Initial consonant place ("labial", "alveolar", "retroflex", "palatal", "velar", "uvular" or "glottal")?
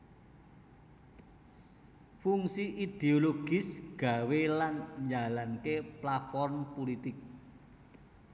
labial